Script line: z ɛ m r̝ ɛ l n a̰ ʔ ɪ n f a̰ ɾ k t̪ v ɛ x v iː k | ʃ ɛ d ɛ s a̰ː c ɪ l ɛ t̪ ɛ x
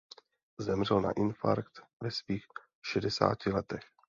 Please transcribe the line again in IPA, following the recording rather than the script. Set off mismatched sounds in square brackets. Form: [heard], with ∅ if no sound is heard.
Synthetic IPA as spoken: z ɛ m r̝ ɛ l n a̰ ʔ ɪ n f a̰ ɾ k t̪ v ɛ [s] v iː [x] | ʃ ɛ d ɛ s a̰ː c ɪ l ɛ t̪ ɛ x

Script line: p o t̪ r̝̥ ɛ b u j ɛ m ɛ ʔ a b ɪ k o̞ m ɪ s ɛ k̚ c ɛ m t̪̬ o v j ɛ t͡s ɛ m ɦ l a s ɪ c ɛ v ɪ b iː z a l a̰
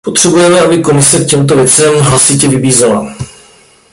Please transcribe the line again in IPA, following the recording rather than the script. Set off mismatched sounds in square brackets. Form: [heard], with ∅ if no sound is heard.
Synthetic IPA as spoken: p o t̪ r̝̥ ɛ b u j ɛ m ɛ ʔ a b ɪ k o̞ m ɪ s ɛ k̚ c ɛ m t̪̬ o v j ɛ t͡s ɛ m ɦ l a s ɪ c ɛ v ɪ b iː z a l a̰

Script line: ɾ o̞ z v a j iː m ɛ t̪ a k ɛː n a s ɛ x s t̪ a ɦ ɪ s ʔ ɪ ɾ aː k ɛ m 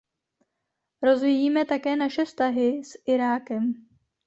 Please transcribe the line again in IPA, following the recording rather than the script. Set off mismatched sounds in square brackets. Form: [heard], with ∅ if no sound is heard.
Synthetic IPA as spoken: ɾ o̞ z v [i] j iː m ɛ t̪ a k ɛː n a [ʃ] ɛ [f] s t̪ a ɦ ɪ s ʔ ɪ ɾ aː k ɛ m

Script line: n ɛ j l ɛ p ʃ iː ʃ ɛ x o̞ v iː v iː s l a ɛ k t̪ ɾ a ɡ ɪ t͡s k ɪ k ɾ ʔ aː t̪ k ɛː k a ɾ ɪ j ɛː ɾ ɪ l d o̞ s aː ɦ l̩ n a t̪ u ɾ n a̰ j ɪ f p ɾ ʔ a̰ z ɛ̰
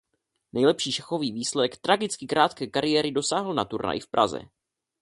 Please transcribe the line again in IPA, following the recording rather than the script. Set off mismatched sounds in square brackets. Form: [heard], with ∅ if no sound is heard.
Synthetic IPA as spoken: n ɛ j l ɛ p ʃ iː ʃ ɛ x o̞ v iː v iː s l [ɛ] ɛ k t̪ ɾ a ɡ ɪ t͡s k ɪ k ɾ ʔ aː t̪ k ɛː k a ɾ ɪ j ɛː ɾ ɪ [∅] d o̞ s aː ɦ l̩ n a t̪ u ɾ n a̰ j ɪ f p ɾ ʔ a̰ z ɛ̰

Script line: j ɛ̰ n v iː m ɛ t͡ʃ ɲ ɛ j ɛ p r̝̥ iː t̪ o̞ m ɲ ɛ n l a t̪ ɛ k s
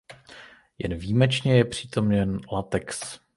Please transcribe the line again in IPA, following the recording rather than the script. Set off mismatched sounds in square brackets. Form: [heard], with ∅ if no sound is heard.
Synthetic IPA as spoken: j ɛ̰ n v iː m ɛ t͡ʃ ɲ ɛ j ɛ p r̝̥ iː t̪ o̞ m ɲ ɛ n l a t̪ ɛ k s

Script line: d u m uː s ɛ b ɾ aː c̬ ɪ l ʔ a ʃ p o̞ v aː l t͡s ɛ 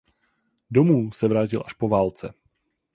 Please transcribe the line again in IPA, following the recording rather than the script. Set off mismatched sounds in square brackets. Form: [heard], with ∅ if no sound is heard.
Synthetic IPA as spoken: d [o] m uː s ɛ [v] ɾ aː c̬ ɪ l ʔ a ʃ p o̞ v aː l t͡s ɛ

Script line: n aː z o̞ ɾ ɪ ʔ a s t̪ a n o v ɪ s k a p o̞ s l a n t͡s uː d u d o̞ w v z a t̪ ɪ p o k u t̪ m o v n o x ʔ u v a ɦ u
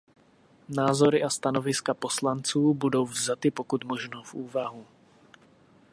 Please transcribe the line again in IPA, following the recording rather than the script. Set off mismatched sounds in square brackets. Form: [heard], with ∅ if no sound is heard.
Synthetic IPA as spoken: n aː z o̞ ɾ ɪ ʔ a s t̪ a n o v ɪ s k a p o̞ s l a n t͡s uː [b] u d o̞ w v z a t̪ ɪ p o k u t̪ m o [ʒ] n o [f] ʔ [uː] v a ɦ u

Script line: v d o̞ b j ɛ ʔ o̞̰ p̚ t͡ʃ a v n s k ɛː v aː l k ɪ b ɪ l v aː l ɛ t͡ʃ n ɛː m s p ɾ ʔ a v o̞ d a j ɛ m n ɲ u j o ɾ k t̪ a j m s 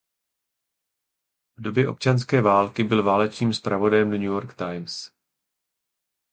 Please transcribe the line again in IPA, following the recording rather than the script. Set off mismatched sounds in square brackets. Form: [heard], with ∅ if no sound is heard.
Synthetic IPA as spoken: v d o̞ b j ɛ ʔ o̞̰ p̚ t͡ʃ a [∅] n s k ɛː v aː l k ɪ b ɪ l v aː l ɛ t͡ʃ n [iː] m s p ɾ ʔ a v o̞ d a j ɛ m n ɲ u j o ɾ k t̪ a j m s

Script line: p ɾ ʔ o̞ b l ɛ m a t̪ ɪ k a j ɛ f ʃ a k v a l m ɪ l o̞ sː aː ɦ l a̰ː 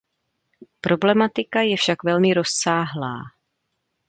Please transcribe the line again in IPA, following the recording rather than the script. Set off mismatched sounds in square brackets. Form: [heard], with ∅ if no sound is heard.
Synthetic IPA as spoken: p ɾ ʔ o̞ b l ɛ m a t̪ ɪ k a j ɛ f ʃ a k v [ɛ] l m ɪ [ɾ] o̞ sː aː ɦ l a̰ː

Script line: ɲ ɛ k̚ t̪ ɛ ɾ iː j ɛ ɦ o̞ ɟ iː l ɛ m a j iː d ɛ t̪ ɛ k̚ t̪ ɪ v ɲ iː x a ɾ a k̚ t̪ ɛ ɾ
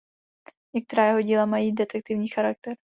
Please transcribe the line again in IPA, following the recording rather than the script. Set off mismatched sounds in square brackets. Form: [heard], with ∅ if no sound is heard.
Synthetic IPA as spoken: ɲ ɛ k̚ t̪ ɛ ɾ [aː] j ɛ ɦ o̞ ɟ iː l [a] m a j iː d ɛ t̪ ɛ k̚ t̪ ɪ v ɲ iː x a ɾ a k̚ t̪ ɛ ɾ

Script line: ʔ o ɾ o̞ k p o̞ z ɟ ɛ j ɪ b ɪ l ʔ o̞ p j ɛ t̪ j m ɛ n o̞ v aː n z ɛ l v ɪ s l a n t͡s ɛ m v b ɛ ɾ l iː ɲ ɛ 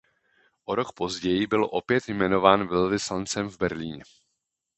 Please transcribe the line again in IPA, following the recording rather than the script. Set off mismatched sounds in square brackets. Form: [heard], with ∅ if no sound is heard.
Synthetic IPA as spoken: ʔ o ɾ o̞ k p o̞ z ɟ ɛ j ɪ b ɪ l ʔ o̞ p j ɛ t̪ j m ɛ n o̞ v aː n [v] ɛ l v ɪ s l a n t͡s ɛ m v b ɛ ɾ l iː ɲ ɛ

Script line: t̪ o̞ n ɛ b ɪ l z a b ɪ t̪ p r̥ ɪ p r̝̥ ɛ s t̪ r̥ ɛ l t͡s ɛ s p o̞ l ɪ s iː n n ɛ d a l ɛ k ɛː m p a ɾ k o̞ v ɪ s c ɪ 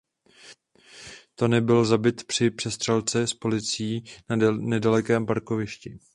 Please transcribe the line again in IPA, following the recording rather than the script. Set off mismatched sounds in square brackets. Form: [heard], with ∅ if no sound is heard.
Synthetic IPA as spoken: t̪ o̞ n ɛ b ɪ l z a b ɪ t̪ p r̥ ɪ p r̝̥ ɛ s t̪ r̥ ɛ l t͡s ɛ s p o̞ l ɪ [t͡s] iː n n ɛ d a l ɛ k ɛː m p a ɾ k o̞ v ɪ [ʃ] c ɪ

